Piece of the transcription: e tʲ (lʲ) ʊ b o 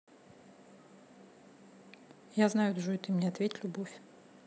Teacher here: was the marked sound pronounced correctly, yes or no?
yes